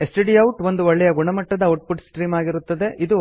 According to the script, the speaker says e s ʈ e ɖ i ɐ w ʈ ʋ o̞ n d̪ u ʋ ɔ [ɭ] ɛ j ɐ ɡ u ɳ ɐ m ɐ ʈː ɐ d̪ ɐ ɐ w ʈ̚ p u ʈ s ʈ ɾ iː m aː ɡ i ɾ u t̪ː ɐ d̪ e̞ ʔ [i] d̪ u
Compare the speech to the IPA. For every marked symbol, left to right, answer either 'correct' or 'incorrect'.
incorrect, correct

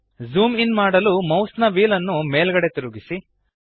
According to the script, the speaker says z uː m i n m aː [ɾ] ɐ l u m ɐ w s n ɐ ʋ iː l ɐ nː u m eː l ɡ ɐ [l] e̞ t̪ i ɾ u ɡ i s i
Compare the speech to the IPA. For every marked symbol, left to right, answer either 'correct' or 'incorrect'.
incorrect, incorrect

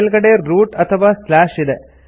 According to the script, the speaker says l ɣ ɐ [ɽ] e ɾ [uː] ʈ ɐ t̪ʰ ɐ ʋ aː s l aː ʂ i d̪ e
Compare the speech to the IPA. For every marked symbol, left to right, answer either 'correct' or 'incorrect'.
correct, correct

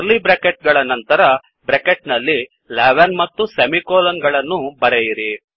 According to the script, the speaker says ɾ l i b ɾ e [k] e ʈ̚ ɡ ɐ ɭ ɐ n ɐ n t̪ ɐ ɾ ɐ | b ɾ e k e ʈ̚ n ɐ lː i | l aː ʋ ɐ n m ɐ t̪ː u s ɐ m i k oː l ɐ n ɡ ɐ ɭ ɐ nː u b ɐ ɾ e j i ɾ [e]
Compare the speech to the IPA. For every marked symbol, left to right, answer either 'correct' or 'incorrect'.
correct, incorrect

